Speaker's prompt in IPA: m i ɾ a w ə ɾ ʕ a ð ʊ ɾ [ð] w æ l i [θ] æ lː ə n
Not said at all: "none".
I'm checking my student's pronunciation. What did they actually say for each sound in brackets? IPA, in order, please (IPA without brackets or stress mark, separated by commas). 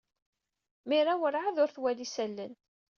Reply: θ, s